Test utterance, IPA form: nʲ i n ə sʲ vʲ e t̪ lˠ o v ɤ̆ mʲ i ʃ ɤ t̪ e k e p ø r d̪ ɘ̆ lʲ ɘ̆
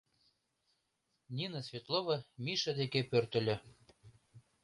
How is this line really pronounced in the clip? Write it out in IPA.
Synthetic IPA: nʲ i n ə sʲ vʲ e t̪ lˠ o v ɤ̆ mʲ i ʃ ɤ d̪ e k e p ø r t̪ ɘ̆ lʲ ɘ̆